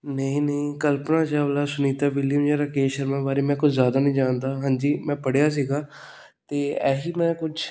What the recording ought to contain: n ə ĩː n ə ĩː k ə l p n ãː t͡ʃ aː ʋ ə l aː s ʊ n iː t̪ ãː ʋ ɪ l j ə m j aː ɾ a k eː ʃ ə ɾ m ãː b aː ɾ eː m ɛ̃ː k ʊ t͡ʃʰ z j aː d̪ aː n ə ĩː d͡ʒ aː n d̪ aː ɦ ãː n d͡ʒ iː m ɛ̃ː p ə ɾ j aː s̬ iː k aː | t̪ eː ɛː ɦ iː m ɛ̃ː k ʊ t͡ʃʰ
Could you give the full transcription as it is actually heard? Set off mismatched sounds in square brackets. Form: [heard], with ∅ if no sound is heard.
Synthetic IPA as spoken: n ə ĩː n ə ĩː k ə l p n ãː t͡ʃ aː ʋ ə l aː s ʊ n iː t̪ [aː] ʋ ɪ l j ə m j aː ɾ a k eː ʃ ə ɾ m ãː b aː ɾ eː m ɛ̃ː k ʊ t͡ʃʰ z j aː d̪ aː n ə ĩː d͡ʒ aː n d̪ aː ɦ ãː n d͡ʒ iː m ɛ̃ː p ə [ɽ] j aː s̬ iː [ɡ] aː | t̪ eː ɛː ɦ iː m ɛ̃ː k ʊ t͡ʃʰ